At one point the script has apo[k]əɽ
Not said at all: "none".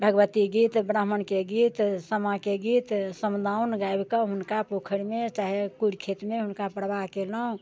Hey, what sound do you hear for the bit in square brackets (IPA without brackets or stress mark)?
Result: kʰ